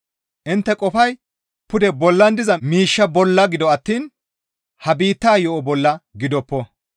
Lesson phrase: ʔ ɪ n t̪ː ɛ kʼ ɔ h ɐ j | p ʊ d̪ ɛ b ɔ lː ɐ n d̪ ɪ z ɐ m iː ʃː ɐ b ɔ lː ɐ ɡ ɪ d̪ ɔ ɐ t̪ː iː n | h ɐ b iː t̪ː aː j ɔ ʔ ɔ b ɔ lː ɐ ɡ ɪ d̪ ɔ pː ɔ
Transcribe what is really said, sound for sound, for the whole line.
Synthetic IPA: ʔ ɪ n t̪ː ɛ kʼ ɔ f ɐ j | p ʊ d̪ ɛ b ɔ lː ɐ n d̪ ɪ z ɐ m iː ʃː ɐ b ɔ lː ɐ ɡ ɪ d̪ ɔ ɐ t̪ː iː n | h ɐ b iː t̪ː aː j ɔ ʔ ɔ b ɔ lː ɐ ɡ ɪ d̪ ɔ pː ɔ